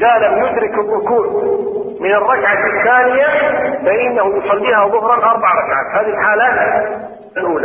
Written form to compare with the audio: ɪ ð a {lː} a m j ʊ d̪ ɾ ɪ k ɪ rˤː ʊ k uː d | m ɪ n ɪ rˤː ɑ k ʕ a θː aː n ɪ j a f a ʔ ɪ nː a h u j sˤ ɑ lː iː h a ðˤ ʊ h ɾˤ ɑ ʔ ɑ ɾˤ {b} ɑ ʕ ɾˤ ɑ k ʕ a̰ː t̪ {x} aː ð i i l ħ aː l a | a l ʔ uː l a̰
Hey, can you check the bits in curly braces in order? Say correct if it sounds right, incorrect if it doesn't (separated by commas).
incorrect, correct, incorrect